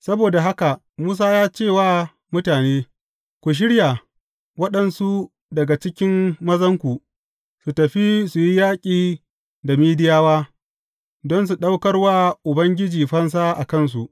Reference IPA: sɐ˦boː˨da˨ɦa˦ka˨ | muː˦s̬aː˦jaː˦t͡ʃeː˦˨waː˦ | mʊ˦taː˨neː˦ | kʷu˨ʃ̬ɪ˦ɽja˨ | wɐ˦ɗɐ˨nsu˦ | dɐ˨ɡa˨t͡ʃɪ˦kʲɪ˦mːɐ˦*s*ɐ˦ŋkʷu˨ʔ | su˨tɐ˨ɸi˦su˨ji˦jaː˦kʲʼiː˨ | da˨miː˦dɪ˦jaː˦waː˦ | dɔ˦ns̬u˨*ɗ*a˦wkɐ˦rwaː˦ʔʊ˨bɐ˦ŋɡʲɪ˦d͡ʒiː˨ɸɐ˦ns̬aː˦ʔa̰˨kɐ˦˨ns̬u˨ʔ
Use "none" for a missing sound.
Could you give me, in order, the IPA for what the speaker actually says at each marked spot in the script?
z, ɗ

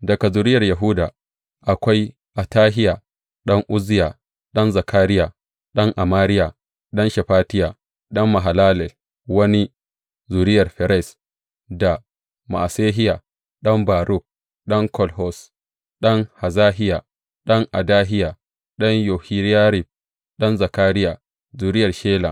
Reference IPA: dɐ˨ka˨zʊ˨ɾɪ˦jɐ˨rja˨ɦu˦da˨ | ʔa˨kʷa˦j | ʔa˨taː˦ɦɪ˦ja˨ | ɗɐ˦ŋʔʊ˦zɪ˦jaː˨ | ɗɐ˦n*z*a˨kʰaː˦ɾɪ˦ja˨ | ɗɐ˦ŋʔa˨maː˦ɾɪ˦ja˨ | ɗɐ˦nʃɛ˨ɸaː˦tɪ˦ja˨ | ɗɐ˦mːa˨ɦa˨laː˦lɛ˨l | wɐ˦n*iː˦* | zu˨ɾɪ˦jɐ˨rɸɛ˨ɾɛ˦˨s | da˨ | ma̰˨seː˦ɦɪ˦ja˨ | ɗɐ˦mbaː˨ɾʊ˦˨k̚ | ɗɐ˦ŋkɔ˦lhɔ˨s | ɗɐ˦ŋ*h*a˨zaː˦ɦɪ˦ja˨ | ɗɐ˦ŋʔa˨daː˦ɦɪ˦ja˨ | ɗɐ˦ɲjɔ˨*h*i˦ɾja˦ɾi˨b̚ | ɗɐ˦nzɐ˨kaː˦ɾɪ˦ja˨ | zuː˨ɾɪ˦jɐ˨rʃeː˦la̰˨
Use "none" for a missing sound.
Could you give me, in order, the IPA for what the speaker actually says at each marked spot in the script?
z, i˦, h, h

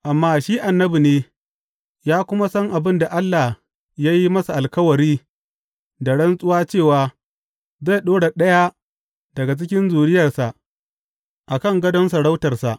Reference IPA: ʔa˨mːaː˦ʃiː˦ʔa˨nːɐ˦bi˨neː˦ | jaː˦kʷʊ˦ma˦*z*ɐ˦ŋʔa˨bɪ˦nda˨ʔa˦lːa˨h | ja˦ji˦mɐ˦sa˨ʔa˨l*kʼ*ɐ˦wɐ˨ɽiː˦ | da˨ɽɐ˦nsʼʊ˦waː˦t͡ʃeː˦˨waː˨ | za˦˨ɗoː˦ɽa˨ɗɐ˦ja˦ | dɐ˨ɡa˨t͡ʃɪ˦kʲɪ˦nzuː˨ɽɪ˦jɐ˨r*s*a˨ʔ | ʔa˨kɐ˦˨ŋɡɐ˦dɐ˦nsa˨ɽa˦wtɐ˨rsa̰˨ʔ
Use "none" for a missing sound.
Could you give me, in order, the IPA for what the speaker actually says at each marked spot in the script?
s, k, s

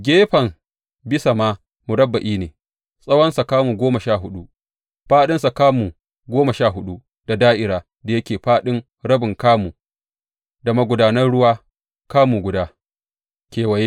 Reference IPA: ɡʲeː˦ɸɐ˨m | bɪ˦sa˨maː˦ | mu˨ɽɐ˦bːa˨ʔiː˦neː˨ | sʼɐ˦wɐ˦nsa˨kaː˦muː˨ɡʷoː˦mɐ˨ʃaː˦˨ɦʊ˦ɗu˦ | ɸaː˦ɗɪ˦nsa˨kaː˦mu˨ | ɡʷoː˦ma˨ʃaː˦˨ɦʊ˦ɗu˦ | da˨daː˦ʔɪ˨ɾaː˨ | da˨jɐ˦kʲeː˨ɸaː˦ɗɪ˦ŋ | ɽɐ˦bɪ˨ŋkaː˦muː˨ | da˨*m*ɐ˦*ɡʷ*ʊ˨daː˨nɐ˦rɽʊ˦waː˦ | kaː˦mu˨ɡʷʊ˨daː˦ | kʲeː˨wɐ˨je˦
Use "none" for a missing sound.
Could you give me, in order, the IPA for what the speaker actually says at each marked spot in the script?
m, ɡʷ

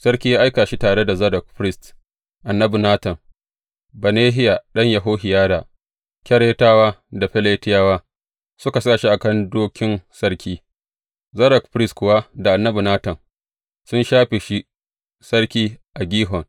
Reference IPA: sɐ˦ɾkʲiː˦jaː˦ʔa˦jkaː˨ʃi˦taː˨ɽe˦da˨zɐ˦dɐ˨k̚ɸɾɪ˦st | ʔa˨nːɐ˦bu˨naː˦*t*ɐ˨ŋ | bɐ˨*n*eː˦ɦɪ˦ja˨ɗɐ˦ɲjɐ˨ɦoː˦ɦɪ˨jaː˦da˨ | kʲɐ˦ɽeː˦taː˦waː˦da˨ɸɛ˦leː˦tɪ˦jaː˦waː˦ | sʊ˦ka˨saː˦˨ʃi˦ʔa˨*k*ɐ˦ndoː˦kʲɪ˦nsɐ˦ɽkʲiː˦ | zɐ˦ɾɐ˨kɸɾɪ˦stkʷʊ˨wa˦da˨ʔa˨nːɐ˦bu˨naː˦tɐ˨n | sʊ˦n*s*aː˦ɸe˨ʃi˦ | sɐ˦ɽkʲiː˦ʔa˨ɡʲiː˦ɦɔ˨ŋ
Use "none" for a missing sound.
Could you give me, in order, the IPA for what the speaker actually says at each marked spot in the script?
t, n, k, ʃ

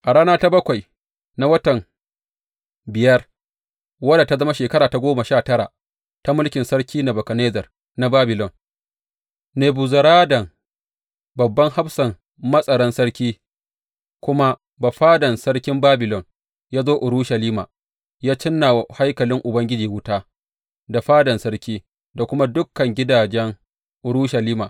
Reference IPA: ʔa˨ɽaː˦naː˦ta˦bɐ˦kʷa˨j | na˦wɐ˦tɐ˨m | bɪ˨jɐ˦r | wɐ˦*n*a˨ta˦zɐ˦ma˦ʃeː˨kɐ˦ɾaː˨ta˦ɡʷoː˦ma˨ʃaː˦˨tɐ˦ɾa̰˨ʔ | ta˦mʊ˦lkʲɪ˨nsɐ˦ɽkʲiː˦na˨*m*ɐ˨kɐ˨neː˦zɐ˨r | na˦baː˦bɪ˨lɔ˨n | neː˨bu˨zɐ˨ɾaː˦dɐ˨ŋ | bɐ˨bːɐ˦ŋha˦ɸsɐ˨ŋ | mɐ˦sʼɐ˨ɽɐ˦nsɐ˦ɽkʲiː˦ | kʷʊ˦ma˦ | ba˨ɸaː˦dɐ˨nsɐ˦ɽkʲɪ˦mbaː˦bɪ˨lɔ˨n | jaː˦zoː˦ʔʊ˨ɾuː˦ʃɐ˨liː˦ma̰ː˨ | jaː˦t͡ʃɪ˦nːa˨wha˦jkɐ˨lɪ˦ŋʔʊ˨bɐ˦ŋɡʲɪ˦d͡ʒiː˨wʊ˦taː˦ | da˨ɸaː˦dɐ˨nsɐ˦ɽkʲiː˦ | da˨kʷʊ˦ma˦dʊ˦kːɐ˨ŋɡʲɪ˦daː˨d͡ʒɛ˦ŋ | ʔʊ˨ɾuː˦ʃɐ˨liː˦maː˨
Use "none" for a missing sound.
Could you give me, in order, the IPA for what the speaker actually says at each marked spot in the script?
d, b

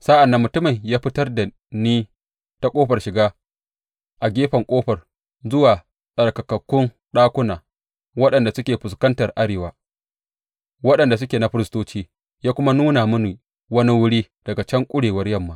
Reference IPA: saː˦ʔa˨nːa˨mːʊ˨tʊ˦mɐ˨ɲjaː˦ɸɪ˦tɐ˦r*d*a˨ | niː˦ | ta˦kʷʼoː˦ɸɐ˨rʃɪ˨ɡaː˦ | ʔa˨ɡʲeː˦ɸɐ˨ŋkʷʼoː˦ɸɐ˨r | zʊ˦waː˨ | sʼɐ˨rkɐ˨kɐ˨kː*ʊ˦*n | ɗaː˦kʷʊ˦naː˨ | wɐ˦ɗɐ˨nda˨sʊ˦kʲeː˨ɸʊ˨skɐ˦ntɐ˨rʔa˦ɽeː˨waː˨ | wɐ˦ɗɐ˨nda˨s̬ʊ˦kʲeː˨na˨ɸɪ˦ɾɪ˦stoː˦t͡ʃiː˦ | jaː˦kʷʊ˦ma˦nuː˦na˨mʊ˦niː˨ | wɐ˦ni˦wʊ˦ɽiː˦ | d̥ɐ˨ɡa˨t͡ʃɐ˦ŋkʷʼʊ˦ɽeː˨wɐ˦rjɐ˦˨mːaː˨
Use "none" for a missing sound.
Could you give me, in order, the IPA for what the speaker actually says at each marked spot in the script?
d, ʊ˦

